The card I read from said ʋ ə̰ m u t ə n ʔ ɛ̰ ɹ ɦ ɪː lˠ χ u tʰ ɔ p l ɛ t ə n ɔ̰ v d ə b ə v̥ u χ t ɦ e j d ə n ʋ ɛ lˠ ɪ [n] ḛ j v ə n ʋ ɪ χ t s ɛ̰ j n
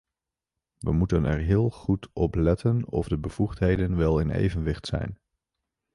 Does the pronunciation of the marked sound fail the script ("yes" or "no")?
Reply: no